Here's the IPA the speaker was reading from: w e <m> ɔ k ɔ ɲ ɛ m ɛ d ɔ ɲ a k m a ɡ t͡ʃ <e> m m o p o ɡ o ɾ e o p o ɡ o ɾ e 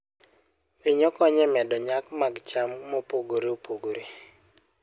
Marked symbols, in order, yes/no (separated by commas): no, no